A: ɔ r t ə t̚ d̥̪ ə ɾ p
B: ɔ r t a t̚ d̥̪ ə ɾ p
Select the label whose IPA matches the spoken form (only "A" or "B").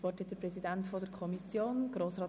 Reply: A